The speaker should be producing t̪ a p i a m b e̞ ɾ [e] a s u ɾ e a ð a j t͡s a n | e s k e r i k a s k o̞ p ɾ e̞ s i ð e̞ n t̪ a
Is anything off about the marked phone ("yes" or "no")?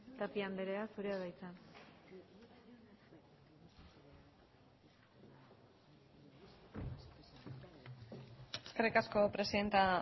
no